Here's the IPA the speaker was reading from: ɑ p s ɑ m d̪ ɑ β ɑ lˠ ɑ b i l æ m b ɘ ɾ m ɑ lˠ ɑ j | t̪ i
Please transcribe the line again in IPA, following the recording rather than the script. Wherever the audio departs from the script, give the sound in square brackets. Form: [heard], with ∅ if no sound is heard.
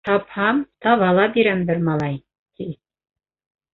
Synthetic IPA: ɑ p [h] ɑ m [t̪] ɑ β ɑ lˠ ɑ b i [ɾ] æ m b ɘ ɾ m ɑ lˠ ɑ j | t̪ i